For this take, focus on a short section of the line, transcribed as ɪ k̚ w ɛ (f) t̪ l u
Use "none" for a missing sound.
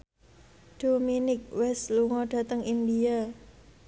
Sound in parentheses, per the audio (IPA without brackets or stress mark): s